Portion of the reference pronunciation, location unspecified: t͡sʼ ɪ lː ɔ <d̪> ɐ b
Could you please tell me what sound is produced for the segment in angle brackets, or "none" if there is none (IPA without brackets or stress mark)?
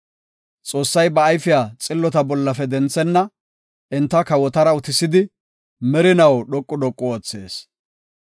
t̪